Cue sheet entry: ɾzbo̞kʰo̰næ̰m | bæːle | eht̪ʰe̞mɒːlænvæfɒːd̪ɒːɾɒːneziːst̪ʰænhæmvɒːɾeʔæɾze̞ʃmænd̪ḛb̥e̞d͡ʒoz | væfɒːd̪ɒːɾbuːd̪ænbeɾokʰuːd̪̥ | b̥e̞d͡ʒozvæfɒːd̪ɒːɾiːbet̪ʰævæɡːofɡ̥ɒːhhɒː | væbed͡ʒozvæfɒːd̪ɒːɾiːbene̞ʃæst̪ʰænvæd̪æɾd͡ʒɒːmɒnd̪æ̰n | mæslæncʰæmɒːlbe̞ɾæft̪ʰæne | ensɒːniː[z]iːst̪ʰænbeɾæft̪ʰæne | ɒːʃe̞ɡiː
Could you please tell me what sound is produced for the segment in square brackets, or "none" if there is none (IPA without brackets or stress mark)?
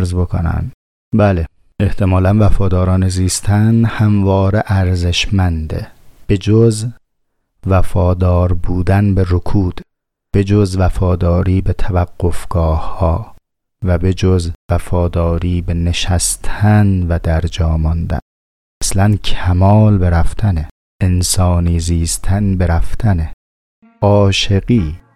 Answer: z